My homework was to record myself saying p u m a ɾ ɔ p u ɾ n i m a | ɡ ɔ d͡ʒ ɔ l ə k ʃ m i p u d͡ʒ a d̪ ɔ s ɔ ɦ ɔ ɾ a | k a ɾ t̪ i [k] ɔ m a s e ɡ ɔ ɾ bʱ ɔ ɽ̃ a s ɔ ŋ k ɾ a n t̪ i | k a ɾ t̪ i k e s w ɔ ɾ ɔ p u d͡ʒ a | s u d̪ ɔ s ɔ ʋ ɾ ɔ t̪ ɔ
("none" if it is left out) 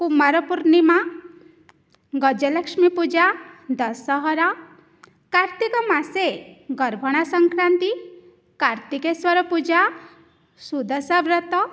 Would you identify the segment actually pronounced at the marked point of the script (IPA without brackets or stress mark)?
k